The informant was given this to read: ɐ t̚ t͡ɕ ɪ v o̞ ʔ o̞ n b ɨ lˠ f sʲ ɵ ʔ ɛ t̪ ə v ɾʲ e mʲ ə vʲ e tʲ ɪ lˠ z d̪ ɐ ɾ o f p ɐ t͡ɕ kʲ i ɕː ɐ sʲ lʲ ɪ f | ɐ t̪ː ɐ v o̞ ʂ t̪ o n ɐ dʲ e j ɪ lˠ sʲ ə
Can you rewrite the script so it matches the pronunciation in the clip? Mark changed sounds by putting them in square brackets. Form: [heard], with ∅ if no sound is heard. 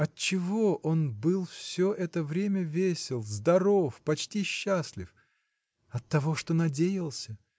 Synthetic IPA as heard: ɐ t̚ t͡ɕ ɪ v o̞ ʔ o̞ n b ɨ lˠ f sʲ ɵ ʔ ɛ t̪ ə v ɾʲ e mʲ ə vʲ e [sʲ] ɪ lˠ z d̪ ɐ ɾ o f p ɐ t͡ɕ [tʲ] i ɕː [a] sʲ lʲ ɪ f | ɐ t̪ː ɐ v o̞ ʂ t̪ o n ɐ dʲ e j ɪ lˠ sʲ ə

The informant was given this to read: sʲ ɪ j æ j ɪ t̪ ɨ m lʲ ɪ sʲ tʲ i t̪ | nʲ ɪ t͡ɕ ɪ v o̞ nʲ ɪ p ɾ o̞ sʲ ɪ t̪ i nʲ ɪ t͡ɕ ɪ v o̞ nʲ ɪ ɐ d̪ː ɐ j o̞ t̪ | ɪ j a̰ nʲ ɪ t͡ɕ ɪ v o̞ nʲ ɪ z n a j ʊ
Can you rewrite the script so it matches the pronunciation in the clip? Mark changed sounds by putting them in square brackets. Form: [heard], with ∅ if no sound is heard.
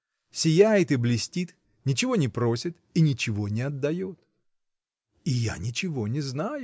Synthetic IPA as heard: sʲ ɪ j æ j ɪ t̪ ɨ [b] lʲ ɪ sʲ tʲ i t̪ | nʲ ɪ t͡ɕ ɪ v o̞ nʲ ɪ p ɾ o̞ sʲ ɪ t̪ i nʲ ɪ t͡ɕ ɪ v o̞ nʲ ɪ ɐ d̪ː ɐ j o̞ t̪ | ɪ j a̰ nʲ ɪ t͡ɕ ɪ v o̞ nʲ ɪ z n a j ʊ

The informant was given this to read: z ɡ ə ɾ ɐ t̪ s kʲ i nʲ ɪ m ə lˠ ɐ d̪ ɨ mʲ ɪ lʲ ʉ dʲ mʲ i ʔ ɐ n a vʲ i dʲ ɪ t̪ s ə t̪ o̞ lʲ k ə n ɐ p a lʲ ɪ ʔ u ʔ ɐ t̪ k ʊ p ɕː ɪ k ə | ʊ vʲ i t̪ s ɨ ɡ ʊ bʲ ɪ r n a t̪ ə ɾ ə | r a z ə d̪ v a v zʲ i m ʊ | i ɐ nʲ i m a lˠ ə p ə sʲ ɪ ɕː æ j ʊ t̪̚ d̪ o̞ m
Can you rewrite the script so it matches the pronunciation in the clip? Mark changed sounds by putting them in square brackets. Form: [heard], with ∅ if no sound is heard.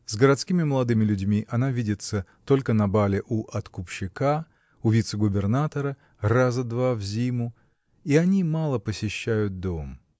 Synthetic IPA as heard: z ɡ ə ɾ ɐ t̪ s kʲ i [mʲ] ɪ m ə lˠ ɐ d̪ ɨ mʲ ɪ lʲ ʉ dʲ mʲ i ʔ ɐ n a vʲ i dʲ ɪ t̪ s ə t̪ o̞ lʲ k ə n ɐ [b] a lʲ ɪ ʔ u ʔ ɐ t̪ k ʊ p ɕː ɪ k [a] | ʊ vʲ i t̪ s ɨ ɡ ʊ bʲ ɪ r n a t̪ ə ɾ ə | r a z ə d̪ v a v zʲ i m ʊ | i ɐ nʲ i m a lˠ ə p ə sʲ ɪ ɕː æ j ʊ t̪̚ d̪ o̞ m

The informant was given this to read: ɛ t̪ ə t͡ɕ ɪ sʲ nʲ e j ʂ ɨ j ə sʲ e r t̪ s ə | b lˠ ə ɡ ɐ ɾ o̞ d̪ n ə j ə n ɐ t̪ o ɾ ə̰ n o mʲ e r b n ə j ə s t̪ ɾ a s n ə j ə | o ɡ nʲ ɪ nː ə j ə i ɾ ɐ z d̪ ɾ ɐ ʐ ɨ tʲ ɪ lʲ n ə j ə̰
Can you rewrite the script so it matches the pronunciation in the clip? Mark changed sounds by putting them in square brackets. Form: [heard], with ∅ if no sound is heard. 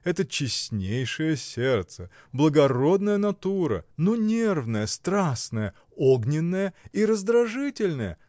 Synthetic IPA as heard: ɛ t̪ ə t͡ɕ ɪ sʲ nʲ e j ʂ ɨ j ə sʲ e r t̪ s ə | b lˠ ə ɡ ɐ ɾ o̞ d̪ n ə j ə n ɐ t̪ [u] ɾ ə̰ n o [nʲ] e r [v] n ə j ə s t̪ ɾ a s n ə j ə | o ɡ nʲ ɪ nː ə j ə i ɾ [ə] z d̪ ɾ ɐ ʐ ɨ tʲ ɪ lʲ n ə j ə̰

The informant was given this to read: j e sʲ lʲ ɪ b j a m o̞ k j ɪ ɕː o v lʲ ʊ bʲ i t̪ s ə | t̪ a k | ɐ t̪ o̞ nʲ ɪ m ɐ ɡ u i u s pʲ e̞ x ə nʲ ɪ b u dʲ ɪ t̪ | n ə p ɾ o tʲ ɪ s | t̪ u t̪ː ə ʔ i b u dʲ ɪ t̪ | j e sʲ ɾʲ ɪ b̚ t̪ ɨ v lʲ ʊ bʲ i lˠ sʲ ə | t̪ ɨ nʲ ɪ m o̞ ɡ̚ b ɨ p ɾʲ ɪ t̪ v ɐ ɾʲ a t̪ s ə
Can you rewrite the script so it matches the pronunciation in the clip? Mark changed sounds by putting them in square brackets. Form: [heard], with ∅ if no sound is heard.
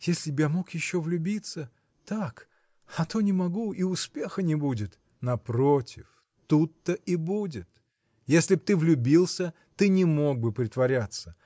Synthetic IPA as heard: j e sʲ lʲ ɪ b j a m o̞ k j ɪ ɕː o v lʲ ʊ bʲ i t̪ s ə | t̪ a k | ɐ t̪ o̞ nʲ ɪ m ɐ ɡ u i [ʊ] s pʲ e̞ x ə nʲ ɪ b u dʲ ɪ t̪ | n [ɐ] p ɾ o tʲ ɪ [f] | t̪ u t̪ː ə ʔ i b u dʲ ɪ t̪ | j e sʲ [lʲ] ɪ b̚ t̪ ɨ v lʲ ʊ bʲ i lˠ sʲ ə | t̪ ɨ nʲ ɪ m o̞ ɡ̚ b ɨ p ɾʲ ɪ t̪ v ɐ ɾʲ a t̪ s ə

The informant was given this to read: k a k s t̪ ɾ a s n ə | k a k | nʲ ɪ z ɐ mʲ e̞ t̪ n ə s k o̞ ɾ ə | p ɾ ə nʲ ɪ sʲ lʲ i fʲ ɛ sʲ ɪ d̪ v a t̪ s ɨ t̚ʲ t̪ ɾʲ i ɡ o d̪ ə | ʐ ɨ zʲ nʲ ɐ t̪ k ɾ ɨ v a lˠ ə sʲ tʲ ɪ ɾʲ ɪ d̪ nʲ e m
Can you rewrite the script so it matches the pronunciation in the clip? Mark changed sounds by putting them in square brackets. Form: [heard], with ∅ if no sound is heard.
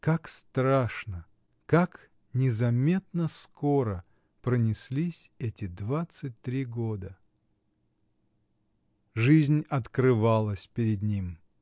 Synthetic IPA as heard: k a k s t̪ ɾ a [ʂ] n ə | k a k | nʲ ɪ z ɐ mʲ e̞ t̪ n ə s k o̞ ɾ ə | p ɾ ə nʲ ɪ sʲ lʲ i [sʲ] ɛ [tʲ] ɪ d̪ v a t̪ s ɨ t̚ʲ t̪ ɾʲ i ɡ o d̪ ə | ʐ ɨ zʲ nʲ ɐ t̪ k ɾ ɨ v a lˠ ə sʲ [pʲ] ɪ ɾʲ ɪ d̪ nʲ [i] m

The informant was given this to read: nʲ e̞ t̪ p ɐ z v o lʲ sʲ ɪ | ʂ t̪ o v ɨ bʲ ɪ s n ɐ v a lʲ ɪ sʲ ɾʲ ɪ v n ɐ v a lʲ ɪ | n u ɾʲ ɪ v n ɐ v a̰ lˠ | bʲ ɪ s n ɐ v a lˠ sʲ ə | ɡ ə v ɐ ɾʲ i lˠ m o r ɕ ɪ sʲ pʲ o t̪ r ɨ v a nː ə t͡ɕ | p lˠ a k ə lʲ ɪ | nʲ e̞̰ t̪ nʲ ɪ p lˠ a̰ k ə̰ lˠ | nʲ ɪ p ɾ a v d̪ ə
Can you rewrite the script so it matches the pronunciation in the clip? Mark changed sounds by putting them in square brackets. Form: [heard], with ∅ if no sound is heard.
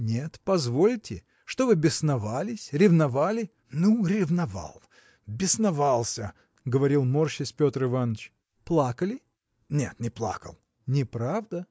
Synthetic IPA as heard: nʲ e̞ t̪ p ɐ z v o lʲ [tʲ] ɪ | ʂ t̪ o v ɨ bʲ ɪ s n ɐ v a lʲ ɪ sʲ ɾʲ ɪ v n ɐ v a lʲ ɪ | n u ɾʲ ɪ v n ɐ v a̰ lˠ | bʲ ɪ s n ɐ v a lˠ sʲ ə | ɡ ə v ɐ ɾʲ i lˠ m o r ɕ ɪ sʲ pʲ o t̪ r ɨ v a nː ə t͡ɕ | p lˠ a k ə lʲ ɪ | nʲ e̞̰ t̪ nʲ ɪ p lˠ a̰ k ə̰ lˠ | nʲ ɪ p ɾ a v d̪ ə

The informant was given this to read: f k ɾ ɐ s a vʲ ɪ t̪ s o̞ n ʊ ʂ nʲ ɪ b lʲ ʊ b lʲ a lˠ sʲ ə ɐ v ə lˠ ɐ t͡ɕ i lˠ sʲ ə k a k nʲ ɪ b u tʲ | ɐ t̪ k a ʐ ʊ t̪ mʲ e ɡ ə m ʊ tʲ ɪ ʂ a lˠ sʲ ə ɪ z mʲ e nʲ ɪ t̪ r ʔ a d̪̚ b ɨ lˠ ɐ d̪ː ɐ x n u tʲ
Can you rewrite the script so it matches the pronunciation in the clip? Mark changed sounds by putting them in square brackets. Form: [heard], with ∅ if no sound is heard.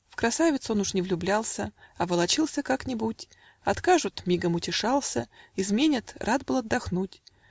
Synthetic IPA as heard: f k ɾ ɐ s a vʲ ɪ t̪ s o̞ n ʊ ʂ nʲ ɪ [v] lʲ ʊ b lʲ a lˠ sʲ ə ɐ v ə lˠ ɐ t͡ɕ i lˠ sʲ ə k a k nʲ ɪ b u tʲ | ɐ t̪ k a ʐ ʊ t̪ mʲ [i] ɡ ə m ʊ tʲ ɪ ʂ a lˠ sʲ ə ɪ z mʲ e nʲ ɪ t̪ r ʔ a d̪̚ b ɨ lˠ ɐ d̪ː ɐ x n u tʲ

